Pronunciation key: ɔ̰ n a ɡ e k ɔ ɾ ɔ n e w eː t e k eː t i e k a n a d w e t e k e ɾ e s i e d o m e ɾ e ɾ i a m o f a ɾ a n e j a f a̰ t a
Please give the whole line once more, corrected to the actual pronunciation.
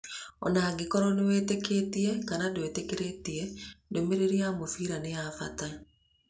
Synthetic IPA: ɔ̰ n a ɡ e k ɔ ɾ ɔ n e w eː t e k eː t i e k a n a d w e t e k e ɾ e t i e d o m e ɾ e ɾ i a m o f i ɾ a n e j a f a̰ t a